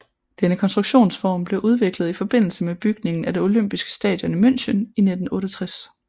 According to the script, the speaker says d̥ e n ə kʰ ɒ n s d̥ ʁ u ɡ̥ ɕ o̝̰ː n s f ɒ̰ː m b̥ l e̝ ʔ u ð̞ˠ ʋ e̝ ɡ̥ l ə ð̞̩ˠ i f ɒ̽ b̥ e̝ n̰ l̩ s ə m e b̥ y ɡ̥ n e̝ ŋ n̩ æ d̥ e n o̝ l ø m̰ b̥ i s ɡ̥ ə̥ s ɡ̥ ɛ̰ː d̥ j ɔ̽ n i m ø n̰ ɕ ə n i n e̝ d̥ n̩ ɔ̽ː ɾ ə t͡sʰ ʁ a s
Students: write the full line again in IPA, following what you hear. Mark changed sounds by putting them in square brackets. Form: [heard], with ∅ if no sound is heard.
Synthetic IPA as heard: d̥ e n ə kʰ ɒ n s d̥ ʁ u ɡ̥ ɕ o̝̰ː n s f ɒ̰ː m b̥ l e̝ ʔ u ð̞ˠ ʋ e̝ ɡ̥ l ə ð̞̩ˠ i f ɒ̽ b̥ e̝ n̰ l̩ s ə m e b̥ y ɡ̥ n e̝ ŋ n̩ æ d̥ e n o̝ l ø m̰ b̥ i s ɡ̥ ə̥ s [d̥] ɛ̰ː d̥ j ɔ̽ n i m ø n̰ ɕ ə n i n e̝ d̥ n̩ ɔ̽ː ɾ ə t͡sʰ ʁ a s